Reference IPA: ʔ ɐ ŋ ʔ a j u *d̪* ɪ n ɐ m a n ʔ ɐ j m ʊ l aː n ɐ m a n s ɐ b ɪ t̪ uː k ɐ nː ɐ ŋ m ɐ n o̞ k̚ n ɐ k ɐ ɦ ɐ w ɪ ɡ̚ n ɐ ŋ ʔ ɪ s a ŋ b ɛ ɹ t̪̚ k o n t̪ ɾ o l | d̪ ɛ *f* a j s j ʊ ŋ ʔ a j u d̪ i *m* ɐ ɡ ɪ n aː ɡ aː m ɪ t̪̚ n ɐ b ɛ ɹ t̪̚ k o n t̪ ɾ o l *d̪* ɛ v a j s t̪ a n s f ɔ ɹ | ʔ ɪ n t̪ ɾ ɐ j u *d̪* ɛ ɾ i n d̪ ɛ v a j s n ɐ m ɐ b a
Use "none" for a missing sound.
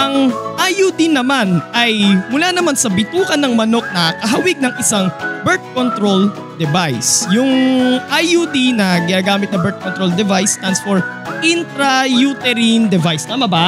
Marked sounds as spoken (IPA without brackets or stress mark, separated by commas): d̪, v, n, d̪, t̪